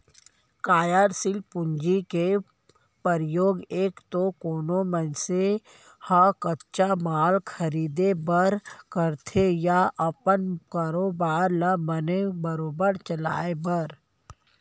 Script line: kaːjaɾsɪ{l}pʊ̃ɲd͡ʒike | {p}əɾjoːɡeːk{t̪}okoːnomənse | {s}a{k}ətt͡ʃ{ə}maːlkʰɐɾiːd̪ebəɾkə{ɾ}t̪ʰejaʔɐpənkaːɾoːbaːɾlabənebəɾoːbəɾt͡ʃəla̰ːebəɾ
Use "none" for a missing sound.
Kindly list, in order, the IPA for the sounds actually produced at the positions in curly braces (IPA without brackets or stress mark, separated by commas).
l, p, t̪, h, k, a, ɾ